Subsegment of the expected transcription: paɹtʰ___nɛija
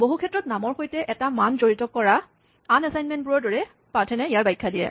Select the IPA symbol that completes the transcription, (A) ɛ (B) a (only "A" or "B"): A